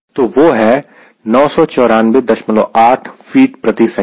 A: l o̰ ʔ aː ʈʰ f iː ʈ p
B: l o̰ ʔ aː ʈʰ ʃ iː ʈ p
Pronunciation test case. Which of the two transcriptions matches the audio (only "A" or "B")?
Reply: A